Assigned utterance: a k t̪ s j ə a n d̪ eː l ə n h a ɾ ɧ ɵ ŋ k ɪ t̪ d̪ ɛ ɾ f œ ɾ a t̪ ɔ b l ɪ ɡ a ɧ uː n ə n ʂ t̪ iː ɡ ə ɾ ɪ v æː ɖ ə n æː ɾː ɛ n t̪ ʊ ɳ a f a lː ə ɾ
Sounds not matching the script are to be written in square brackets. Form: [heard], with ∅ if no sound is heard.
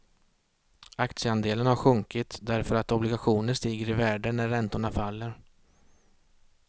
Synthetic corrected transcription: a k t̪ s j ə a n d̪ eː l ə n h a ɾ ɧ ɵ ŋ k ɪ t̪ d̪ [æ] ɾ f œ ɾ a t̪ ɔ b l ɪ ɡ a ɧ uː n ə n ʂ t̪ iː ɡ ə ɾ ɪ v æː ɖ ə n [æ] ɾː ɛ n t̪ ʊ ɳ a f a lː ə ɾ